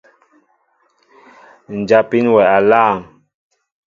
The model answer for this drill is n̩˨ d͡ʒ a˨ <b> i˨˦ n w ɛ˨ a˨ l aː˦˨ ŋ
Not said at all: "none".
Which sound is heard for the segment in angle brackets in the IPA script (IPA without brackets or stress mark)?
p